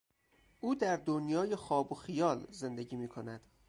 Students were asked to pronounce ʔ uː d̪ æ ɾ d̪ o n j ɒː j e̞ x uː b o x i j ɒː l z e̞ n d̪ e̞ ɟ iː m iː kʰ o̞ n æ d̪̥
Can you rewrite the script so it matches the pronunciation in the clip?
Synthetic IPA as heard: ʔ uː d̪ æ ɾ d̪ o n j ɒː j e̞ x ɒː b o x i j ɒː l z e̞ n d̪ e̞ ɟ iː m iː kʰ o̞ n æ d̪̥